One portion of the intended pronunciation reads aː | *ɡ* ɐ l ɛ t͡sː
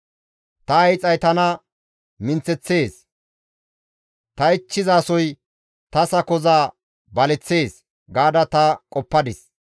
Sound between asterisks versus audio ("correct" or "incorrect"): incorrect